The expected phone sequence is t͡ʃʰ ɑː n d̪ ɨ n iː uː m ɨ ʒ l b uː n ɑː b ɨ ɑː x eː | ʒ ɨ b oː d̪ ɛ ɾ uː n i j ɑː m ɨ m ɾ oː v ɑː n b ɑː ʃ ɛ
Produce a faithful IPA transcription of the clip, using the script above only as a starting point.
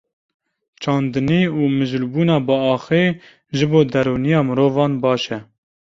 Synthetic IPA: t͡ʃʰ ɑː n d̪ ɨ n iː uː m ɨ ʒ l b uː n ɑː b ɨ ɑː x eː | ʒ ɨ b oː d̪ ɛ ɾ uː n i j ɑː m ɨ ɾ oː v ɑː n b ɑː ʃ ɛ

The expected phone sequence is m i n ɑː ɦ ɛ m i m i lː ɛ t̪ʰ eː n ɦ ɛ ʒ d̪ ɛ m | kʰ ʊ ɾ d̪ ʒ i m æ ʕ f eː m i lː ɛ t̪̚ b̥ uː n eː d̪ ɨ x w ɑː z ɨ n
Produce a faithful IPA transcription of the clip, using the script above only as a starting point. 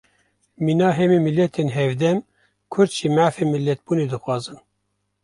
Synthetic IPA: m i n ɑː ɦ ɛ m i m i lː ɛ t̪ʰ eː n ɦ ɛ v d̪ ɛ m | kʰ ʊ ɾ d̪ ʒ i m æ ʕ f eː m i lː ɛ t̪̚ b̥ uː n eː d̪ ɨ x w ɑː z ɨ n

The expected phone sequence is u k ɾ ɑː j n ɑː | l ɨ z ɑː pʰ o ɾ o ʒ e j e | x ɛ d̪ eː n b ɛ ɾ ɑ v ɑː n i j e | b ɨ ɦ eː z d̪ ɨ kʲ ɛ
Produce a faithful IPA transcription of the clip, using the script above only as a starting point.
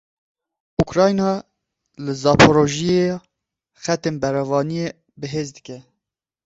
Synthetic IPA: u k ɾ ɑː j n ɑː | l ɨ z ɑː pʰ o ɾ o ʒ i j e | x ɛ t̪ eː n b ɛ ɾ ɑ v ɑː n i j e | b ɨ ɦ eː z d̪ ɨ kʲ ɛ

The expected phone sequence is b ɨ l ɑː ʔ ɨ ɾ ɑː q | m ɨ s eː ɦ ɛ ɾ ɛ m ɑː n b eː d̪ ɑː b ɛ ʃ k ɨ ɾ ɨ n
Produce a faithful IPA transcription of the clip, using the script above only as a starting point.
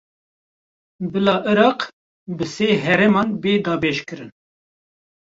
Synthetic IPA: b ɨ l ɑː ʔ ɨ ɾ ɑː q | b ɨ s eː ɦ ɛ ɾ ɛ m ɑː n b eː d̪ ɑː b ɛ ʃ k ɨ ɾ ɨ n

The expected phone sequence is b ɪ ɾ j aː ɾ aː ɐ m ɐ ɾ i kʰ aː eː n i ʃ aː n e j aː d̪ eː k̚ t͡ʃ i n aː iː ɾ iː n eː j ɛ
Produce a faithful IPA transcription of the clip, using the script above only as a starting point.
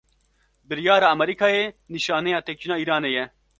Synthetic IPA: b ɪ ɾ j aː ɾ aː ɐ m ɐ ɾ i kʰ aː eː n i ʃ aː n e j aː t̪ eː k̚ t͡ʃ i n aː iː ɾ aː n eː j ɛ

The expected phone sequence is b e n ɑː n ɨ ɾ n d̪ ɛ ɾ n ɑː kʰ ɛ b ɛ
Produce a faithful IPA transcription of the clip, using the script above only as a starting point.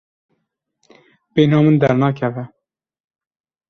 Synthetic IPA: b e n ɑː m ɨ n d̪ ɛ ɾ n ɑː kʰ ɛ v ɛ

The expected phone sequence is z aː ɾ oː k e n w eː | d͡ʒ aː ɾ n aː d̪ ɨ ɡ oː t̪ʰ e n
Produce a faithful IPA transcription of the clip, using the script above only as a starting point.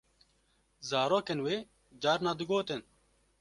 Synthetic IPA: z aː ɾ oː k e n w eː | d͡ʒ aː ɾ n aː d̪ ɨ ɡ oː t̪ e n

